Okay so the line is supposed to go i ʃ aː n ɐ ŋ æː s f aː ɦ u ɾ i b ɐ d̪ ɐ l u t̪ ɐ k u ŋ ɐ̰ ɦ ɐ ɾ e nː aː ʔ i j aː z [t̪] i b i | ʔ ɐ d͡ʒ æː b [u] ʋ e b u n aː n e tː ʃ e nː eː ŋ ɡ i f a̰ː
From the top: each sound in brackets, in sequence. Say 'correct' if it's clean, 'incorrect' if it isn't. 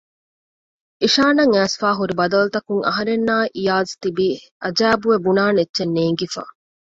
correct, correct

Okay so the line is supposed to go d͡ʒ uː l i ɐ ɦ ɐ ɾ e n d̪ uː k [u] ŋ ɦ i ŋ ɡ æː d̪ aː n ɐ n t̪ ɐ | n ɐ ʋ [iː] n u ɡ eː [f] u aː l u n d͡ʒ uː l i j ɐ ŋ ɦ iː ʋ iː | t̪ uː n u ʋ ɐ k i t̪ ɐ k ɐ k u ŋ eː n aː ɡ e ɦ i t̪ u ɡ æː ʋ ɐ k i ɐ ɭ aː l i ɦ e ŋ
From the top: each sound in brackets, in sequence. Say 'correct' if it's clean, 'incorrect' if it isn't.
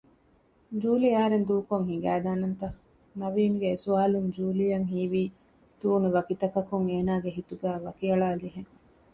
incorrect: o, correct, incorrect: s

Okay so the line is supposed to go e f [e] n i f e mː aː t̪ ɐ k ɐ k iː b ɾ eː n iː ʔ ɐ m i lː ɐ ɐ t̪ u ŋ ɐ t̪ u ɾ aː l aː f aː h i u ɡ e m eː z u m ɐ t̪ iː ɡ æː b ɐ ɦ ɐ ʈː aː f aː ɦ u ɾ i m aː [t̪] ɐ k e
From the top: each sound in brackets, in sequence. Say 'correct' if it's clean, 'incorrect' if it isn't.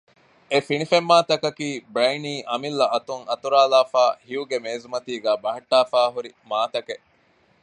incorrect: i, correct

